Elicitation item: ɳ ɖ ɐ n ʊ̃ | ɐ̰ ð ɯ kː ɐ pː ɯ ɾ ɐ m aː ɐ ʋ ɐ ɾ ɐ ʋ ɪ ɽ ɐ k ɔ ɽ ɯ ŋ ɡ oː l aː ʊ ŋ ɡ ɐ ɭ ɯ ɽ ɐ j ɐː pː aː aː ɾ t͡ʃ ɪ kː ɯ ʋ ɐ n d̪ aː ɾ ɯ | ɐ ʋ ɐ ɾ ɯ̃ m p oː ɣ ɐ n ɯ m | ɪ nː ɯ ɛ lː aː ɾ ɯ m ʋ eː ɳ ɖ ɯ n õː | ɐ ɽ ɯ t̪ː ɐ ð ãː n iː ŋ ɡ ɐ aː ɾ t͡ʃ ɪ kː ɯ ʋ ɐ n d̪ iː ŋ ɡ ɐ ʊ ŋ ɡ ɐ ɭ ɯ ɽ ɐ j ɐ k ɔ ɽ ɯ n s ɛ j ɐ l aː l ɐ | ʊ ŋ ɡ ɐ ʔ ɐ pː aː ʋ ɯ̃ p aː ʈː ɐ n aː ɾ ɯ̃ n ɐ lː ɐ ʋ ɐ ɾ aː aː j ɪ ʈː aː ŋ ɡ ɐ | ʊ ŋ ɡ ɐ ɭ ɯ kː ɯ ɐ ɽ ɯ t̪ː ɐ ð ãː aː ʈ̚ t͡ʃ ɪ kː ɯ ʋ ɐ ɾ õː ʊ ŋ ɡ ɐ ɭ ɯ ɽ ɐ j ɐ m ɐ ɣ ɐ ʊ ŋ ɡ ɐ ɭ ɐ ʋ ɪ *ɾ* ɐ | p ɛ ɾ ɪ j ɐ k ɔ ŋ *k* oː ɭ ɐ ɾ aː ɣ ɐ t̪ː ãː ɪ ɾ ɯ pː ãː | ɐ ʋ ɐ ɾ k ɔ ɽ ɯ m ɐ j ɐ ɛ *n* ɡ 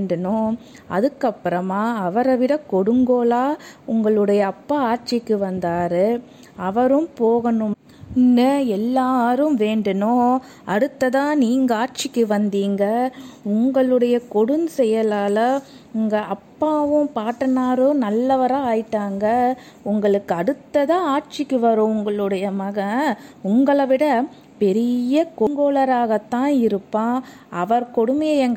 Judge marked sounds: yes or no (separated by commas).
no, no, no